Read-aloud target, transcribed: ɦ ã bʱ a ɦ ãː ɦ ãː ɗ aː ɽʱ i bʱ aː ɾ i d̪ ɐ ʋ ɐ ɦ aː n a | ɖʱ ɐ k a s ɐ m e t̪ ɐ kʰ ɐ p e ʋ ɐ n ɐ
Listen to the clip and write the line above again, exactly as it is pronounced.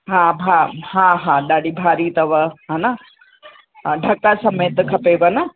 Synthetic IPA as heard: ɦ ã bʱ a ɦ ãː ɦ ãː ɗ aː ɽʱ i bʱ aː ɾ i t̪ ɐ ʋ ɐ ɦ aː n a | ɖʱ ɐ k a s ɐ m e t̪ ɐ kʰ ɐ p e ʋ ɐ n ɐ

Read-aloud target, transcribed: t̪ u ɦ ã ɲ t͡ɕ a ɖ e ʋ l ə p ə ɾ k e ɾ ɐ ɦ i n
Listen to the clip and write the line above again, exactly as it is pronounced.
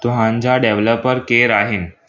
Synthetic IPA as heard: t̪ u ɦ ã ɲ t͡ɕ a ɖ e ʋ l ə p ə ɾ k e ɾ a ɦ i n

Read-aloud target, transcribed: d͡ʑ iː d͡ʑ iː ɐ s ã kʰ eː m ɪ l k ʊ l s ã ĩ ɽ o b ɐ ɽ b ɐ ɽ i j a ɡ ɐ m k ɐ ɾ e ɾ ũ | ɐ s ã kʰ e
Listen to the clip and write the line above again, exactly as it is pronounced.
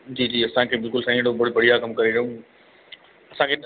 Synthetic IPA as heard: d͡ʑ iː d͡ʑ iː ɐ s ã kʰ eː b ɪ l k ʊ l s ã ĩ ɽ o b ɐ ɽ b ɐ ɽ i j a k ɐ m k ɐ ɾ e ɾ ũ | ɐ s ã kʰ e

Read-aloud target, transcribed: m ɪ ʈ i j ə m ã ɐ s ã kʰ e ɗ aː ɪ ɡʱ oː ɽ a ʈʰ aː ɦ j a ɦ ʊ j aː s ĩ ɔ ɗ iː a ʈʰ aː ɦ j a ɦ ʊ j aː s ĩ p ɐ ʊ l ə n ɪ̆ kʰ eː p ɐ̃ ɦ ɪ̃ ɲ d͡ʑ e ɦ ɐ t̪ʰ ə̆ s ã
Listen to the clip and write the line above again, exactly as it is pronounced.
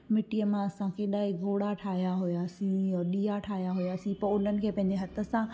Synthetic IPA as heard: m ɪ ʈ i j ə m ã ɐ s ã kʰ e ɗ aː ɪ ɡʱ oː ɽ a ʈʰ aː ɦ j a ɦ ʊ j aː s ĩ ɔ ɗ iː a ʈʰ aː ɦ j a ɦ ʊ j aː s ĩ p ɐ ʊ l ə n ɪ̆ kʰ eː p ɐ̃ ɦ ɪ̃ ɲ d͡ʑ e ɦ ɐ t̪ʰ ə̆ s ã

